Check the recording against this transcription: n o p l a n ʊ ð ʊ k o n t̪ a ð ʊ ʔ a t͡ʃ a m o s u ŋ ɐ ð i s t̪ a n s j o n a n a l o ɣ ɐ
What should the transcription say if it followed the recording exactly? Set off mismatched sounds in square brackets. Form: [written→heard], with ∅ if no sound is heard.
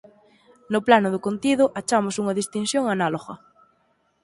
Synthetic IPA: n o p l a n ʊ ð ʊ k o n t̪ [a→i] ð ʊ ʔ a t͡ʃ a m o s u ŋ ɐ ð i s t̪ [a→i] n s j o [n→ŋ] a n a l o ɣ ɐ